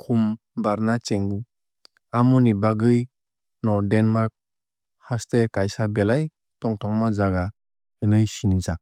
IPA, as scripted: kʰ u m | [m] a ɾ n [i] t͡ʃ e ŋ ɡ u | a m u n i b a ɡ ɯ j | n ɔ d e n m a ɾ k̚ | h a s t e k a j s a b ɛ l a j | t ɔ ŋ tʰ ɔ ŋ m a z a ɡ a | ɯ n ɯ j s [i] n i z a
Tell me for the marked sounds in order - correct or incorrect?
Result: incorrect: b, incorrect: a, correct

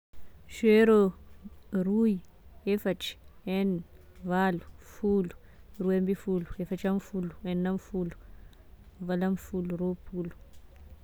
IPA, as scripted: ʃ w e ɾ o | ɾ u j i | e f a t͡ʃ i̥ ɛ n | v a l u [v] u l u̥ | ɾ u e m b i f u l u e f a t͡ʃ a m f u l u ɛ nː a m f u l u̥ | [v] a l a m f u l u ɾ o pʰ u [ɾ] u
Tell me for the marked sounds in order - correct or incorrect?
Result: incorrect: f, correct, incorrect: l

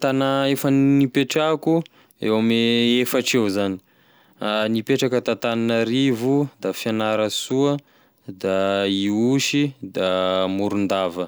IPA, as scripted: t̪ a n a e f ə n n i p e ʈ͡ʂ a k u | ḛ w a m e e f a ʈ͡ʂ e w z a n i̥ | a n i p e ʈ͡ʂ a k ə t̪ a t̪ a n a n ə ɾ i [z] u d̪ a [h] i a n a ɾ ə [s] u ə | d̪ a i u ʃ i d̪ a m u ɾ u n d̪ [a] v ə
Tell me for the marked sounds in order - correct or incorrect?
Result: incorrect: v, incorrect: f, correct, correct

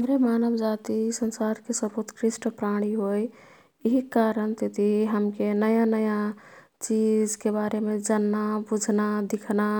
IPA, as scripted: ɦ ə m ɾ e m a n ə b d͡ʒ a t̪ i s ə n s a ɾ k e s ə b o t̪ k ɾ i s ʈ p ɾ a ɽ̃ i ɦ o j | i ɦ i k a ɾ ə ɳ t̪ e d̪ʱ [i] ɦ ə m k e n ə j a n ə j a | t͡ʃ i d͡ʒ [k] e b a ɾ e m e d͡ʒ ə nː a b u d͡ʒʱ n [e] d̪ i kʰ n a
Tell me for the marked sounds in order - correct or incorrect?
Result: correct, correct, incorrect: a

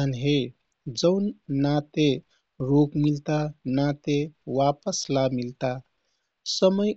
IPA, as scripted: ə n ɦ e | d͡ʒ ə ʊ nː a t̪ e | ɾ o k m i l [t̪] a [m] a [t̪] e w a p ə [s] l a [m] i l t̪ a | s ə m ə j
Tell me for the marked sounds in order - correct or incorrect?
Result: correct, incorrect: n, correct, correct, correct

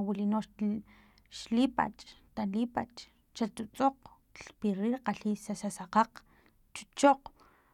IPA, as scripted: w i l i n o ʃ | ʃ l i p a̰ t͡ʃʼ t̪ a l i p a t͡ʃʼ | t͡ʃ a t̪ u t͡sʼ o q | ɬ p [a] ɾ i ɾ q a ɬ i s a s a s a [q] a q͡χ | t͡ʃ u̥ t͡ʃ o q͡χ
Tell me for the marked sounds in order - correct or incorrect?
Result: incorrect: i, correct

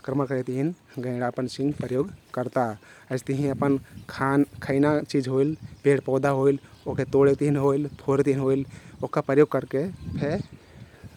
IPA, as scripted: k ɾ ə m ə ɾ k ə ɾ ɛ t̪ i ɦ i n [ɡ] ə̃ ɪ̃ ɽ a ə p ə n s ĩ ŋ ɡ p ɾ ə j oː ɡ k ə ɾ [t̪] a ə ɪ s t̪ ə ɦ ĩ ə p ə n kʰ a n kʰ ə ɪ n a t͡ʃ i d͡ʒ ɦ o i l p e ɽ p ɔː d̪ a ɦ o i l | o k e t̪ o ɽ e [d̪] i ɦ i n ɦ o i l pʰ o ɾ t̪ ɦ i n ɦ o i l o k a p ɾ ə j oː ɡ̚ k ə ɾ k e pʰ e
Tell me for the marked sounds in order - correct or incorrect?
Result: correct, correct, incorrect: t̪

